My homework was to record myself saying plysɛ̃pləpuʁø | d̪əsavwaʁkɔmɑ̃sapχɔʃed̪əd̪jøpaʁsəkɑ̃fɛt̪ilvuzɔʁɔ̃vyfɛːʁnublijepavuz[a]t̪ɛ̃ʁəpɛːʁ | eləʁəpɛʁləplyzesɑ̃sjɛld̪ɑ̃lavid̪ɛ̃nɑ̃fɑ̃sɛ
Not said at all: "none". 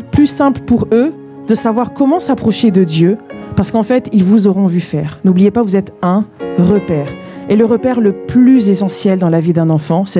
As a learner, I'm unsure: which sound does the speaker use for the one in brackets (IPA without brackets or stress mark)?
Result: ɛ